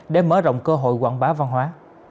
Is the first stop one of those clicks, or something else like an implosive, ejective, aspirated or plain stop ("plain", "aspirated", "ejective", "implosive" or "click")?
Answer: implosive